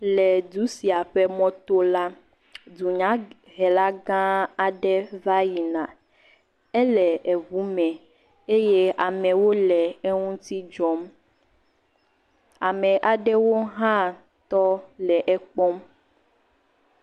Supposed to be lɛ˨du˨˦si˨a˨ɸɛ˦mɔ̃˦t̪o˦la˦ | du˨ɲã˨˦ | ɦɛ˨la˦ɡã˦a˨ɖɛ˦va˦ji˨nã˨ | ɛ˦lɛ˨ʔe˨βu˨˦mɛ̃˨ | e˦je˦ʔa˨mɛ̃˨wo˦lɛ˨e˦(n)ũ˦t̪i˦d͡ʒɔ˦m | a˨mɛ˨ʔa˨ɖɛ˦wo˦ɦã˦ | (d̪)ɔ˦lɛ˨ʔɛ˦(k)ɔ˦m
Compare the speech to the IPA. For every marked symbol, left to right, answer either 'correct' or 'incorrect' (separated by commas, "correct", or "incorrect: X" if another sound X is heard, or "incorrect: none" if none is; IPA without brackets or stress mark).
incorrect: ŋ, incorrect: t̪, incorrect: k͡p